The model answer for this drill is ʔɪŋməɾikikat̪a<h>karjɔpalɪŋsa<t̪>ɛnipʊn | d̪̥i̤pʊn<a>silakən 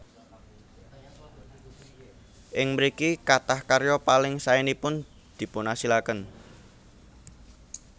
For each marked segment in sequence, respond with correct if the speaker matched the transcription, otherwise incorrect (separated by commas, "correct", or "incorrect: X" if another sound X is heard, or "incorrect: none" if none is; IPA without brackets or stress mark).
correct, incorrect: none, correct